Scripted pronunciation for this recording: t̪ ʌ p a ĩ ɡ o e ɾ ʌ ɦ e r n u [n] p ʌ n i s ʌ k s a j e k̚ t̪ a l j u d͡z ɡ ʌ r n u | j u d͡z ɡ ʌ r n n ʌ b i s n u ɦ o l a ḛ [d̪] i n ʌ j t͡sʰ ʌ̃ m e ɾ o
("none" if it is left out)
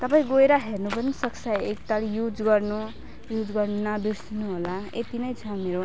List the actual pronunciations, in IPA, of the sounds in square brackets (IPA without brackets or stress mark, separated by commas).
none, t̪